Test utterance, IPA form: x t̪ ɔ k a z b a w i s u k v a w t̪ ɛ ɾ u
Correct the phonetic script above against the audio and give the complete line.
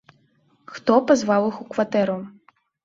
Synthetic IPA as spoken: x t̪ ɔ p a z v a w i x u k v a t̪ ɛ ɾ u

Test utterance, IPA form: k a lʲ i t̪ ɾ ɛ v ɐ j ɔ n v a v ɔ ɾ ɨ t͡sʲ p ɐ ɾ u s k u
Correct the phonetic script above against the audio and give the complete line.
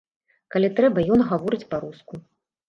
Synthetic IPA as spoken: k a lʲ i t̪ ɾ ɛ b ɐ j ɔ n ɣ a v ɔ ɾ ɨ t͡sʲ p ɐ ɾ u s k u

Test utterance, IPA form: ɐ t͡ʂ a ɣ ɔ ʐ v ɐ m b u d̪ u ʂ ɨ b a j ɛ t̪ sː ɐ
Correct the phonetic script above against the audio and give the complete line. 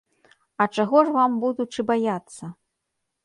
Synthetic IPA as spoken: ɐ t͡ʂ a ɣ ɔ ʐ v a m b u d̪ u t͡ʂ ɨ b a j a t̪ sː ɐ

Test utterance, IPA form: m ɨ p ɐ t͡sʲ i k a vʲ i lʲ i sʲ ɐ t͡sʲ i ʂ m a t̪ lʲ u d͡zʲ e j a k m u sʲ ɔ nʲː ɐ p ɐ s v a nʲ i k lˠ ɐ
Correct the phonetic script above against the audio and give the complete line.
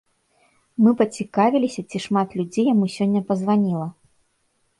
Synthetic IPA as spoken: m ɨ p ɐ t͡sʲ i k a vʲ i lʲ i sʲ ɐ t͡sʲ i ʂ m a t̪ lʲ u d͡zʲ e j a m u sʲ ɔ nʲː ɐ p ɐ z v a nʲ i lˠ ɐ

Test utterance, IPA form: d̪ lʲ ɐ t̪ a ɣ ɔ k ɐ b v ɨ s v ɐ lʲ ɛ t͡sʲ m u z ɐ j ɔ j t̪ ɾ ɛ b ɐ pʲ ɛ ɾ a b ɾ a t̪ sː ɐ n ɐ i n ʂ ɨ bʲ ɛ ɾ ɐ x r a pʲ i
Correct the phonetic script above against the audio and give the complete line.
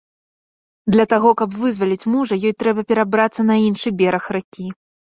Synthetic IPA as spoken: d̪ lʲ ɐ t̪ a ɣ ɔ k ɐ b v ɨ z v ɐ lʲ i t͡sʲ m u ʐ ɐ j ɔ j t̪ ɾ ɛ b ɐ pʲ ɛ ɾ a b ɾ a t̪ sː ɐ n ɐ i n ʂ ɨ bʲ ɛ ɾ ɐ x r a kʲ i

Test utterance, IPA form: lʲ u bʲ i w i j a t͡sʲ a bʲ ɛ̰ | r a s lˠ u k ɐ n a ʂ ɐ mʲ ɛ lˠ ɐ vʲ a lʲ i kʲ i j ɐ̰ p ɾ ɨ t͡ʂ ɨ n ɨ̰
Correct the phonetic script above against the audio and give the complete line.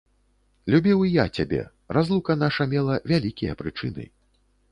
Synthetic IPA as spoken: lʲ u bʲ i w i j a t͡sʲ a bʲ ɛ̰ | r a z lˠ u k ɐ n a ʂ ɐ mʲ ɛ lˠ ɐ vʲ a lʲ i kʲ i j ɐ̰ p ɾ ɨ t͡ʂ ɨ n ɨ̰

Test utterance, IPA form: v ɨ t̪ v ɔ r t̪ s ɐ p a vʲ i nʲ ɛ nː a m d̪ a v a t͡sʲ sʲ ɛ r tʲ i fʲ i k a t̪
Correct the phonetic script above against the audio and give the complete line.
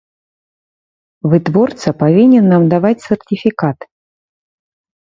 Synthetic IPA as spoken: v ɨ t̪ v ɔ r t̪ s ɐ p a vʲ i nʲ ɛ nː a m d̪ a v a t͡sʲ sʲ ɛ r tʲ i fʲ i k a t̪

